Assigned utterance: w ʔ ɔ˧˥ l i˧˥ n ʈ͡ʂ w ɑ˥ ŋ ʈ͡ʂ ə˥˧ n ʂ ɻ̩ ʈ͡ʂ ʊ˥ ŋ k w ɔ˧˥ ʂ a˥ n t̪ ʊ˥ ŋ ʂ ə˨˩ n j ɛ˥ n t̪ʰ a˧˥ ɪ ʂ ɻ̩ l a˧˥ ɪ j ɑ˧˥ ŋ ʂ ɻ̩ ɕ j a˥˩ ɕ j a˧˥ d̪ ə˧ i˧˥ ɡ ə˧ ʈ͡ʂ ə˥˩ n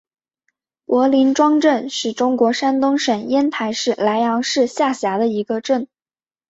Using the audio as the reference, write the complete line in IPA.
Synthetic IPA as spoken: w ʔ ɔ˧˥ l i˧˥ n ʈ͡ʂ w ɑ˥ ŋ ʈ͡ʂ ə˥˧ n ʂ ɻ̩ ʈ͡ʂ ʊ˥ ŋ k w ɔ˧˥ ʂ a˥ n t̪ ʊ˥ ŋ ʂ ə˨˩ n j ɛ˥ n t̪ʰ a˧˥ ɪ ʂ ɻ̩ l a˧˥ ɪ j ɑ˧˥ ŋ ʂ ɻ̩ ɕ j a˥˩ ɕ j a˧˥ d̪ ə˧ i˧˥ ɡ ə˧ ʈ͡ʂ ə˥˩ n